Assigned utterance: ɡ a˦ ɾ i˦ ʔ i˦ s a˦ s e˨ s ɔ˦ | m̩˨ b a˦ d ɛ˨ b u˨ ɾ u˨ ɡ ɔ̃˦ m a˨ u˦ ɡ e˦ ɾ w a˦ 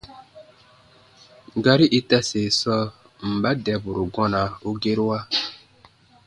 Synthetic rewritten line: ɡ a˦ ɾ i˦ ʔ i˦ t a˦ s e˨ s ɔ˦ | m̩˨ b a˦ d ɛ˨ b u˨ ɾ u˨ ɡ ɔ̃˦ n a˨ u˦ ɡ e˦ ɾ w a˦